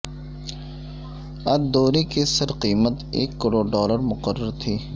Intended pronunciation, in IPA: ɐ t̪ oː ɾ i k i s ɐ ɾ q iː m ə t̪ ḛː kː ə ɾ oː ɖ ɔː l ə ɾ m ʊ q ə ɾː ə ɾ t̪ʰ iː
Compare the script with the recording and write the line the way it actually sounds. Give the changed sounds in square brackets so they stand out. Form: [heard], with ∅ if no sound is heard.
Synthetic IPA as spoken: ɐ [d̪] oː ɾ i k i s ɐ ɾ q iː m ə t̪ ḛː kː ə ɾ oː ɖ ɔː l ə ɾ m ʊ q ə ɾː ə ɾ t̪ʰ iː